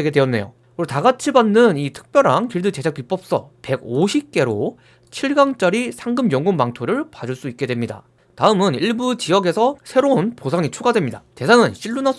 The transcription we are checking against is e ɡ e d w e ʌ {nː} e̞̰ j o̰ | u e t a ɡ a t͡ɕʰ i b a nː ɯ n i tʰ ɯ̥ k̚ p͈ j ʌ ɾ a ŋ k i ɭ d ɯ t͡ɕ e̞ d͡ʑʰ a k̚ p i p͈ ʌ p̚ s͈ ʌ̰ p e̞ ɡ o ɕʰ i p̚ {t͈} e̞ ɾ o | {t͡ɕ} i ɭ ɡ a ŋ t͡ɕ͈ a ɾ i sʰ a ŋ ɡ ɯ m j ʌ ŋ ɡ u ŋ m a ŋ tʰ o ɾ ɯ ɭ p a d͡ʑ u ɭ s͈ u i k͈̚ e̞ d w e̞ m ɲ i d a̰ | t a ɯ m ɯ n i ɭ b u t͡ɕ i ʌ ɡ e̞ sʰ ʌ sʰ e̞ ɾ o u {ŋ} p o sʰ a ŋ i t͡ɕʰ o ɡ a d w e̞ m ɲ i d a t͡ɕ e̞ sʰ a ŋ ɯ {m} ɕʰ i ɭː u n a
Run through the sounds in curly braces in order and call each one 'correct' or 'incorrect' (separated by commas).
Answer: correct, incorrect, incorrect, incorrect, incorrect